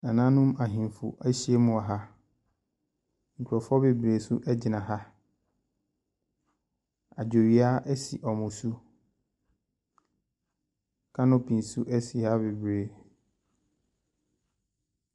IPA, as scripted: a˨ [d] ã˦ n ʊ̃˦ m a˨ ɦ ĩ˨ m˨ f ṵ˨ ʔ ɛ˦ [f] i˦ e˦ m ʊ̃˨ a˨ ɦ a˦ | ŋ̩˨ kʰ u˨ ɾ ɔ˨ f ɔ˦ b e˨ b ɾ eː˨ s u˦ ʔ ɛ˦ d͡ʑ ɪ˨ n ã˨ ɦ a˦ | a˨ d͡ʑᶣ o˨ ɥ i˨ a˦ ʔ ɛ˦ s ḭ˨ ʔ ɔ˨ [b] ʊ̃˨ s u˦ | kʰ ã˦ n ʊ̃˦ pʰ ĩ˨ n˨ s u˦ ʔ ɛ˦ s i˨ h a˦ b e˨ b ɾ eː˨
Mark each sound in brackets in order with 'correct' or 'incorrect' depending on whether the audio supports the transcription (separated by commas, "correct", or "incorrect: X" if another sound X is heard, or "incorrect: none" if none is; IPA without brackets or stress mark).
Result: incorrect: n, incorrect: ɕ, incorrect: m